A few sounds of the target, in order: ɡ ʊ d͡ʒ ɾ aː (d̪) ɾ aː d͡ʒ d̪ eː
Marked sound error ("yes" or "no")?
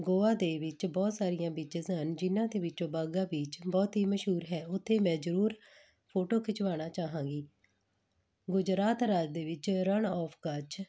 yes